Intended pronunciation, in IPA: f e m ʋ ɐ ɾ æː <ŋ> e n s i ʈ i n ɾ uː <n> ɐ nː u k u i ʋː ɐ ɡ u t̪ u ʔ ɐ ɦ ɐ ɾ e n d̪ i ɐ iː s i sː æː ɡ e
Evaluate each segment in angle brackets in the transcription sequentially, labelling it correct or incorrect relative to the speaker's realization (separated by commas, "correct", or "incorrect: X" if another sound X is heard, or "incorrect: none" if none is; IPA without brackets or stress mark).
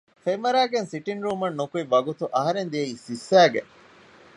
incorrect: ɡ, incorrect: m